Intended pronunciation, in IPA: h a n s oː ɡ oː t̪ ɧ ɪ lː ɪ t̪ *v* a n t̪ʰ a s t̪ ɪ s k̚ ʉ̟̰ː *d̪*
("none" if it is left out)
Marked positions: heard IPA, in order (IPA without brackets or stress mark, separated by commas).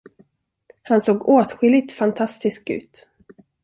f, t̪